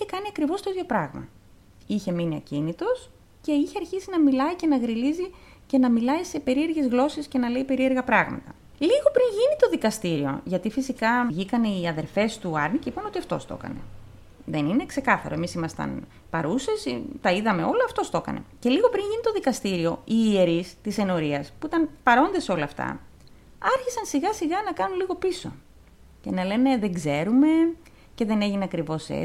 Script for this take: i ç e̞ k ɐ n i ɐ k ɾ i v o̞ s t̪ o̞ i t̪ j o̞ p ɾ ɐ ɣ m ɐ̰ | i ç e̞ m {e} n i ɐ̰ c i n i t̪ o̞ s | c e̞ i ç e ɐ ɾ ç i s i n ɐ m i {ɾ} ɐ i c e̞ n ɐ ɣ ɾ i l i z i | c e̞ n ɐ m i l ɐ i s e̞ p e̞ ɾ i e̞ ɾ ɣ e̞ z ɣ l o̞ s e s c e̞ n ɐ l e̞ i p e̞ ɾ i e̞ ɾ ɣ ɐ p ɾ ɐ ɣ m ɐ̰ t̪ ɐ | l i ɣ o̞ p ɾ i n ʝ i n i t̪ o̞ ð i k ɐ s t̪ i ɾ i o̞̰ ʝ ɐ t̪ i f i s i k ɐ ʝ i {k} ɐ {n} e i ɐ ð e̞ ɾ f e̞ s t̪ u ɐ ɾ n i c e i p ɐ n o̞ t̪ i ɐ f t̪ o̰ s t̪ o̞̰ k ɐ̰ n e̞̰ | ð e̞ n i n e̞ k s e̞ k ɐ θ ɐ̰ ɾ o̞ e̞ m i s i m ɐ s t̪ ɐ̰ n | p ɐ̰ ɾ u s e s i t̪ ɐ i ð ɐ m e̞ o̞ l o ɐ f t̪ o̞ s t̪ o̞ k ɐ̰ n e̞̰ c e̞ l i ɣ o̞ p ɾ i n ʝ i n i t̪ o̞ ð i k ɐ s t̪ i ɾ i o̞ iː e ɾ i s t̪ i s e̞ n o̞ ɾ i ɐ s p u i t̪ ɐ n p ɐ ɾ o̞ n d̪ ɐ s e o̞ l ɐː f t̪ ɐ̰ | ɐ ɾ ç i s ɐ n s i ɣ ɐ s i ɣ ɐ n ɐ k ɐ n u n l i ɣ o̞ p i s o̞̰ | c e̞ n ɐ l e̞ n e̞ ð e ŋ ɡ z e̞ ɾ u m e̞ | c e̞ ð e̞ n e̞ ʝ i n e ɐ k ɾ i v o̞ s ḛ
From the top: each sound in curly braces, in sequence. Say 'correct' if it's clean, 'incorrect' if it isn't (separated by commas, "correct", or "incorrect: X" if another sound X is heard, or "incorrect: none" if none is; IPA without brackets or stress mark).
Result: incorrect: i, incorrect: l, correct, correct